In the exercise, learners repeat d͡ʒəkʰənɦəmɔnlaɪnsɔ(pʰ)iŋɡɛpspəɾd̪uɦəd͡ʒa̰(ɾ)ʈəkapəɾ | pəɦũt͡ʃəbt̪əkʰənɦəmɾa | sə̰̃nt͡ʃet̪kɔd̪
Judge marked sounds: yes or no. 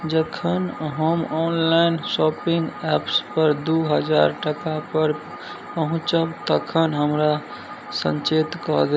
no, yes

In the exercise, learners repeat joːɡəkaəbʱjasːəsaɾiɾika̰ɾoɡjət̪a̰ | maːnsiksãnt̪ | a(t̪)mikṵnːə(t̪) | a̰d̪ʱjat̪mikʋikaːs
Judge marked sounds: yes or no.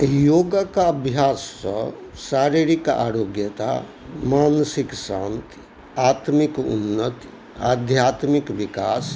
yes, yes

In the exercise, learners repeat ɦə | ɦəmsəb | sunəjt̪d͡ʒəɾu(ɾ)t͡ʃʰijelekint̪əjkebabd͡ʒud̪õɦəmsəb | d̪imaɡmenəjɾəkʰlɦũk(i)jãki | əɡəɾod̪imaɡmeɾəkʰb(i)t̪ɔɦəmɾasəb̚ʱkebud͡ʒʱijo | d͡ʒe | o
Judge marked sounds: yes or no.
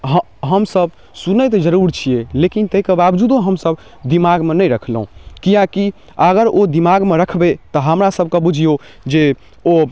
yes, yes, no

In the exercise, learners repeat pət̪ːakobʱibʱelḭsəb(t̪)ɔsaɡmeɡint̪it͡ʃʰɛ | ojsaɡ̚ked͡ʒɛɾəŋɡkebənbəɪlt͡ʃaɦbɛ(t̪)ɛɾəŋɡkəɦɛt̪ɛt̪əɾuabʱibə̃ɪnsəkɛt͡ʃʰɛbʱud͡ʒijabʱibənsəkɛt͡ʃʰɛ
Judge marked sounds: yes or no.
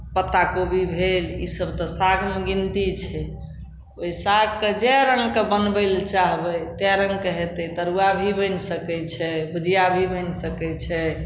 yes, yes

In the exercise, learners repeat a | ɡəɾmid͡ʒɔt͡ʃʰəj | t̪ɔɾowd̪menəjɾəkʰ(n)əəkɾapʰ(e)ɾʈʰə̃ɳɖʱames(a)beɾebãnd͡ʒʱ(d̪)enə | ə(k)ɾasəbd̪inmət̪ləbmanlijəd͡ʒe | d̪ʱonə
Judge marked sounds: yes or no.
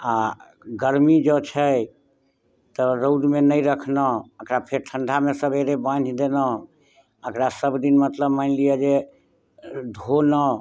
yes, yes, no, yes, yes

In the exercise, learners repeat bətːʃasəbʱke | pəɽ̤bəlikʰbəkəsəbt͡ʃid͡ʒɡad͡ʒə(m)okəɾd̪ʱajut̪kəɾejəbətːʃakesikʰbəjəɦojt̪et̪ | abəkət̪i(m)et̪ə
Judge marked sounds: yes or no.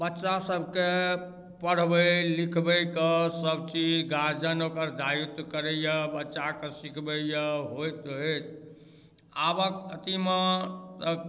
no, yes

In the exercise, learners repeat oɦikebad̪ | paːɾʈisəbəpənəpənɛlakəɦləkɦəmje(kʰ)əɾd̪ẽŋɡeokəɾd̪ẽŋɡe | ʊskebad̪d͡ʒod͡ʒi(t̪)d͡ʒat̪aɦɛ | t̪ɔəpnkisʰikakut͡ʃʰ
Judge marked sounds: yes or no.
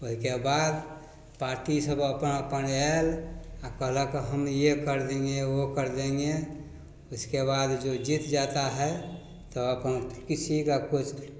no, yes

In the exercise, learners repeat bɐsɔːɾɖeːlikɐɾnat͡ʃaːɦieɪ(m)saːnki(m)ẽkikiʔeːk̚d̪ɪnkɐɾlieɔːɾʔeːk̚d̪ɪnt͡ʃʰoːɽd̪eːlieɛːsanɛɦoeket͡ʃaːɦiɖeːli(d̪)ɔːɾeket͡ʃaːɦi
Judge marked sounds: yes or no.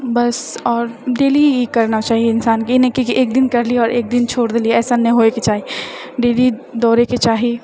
no, no, yes

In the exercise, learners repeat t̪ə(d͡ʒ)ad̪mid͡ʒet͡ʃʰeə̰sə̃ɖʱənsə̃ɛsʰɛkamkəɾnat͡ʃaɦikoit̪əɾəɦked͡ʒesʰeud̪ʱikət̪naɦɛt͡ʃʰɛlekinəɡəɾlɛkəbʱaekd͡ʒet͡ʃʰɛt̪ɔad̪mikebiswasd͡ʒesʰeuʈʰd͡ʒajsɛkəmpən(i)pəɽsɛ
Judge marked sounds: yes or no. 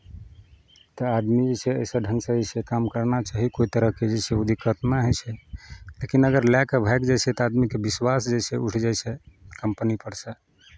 no, yes

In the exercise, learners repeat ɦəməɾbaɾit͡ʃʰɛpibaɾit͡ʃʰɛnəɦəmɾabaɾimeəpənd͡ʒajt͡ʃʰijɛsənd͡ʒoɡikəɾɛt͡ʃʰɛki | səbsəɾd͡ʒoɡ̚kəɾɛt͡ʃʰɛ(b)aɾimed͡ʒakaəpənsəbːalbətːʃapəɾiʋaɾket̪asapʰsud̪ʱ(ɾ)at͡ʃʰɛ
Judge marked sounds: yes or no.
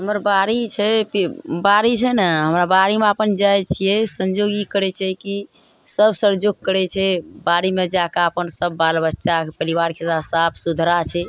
yes, yes

